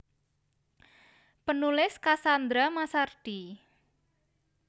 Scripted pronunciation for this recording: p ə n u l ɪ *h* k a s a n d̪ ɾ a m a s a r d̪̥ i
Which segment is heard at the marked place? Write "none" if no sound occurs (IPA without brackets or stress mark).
s